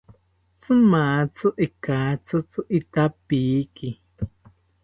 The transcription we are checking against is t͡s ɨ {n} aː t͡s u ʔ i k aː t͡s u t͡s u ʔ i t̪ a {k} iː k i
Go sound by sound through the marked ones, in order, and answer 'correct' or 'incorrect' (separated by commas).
incorrect, incorrect